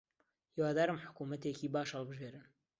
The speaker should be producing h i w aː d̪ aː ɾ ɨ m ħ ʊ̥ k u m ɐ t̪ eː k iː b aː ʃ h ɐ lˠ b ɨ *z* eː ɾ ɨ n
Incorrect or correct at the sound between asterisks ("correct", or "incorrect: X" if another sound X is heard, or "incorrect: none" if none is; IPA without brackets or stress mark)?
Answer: incorrect: ʒ